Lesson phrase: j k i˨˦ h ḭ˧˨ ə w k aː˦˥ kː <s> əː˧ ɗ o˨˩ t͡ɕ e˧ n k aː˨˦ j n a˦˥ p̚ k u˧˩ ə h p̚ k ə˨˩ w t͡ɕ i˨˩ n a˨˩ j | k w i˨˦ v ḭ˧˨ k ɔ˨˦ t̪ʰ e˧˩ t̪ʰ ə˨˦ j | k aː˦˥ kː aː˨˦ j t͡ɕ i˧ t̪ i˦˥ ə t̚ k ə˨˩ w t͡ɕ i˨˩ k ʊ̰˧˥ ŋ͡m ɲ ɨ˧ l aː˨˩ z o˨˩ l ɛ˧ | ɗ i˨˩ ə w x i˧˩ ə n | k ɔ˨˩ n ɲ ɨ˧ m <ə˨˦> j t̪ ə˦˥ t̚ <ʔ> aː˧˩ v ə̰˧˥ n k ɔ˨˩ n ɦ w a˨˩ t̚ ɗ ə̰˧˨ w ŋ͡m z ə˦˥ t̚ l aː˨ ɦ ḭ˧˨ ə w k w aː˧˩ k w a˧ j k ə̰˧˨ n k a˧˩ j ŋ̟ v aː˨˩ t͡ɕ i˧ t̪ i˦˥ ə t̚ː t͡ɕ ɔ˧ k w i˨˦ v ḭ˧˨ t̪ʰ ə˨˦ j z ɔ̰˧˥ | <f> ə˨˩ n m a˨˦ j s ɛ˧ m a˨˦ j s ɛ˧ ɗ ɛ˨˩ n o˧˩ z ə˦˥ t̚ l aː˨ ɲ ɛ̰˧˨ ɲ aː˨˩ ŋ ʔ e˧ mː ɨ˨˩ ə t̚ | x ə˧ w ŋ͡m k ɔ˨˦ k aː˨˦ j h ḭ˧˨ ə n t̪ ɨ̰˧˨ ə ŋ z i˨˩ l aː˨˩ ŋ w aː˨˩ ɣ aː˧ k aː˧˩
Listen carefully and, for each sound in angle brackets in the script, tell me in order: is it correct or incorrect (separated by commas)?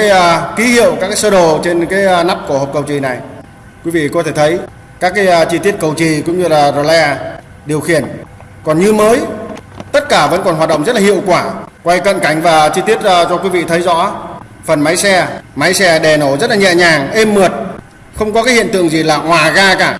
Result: correct, incorrect, incorrect, correct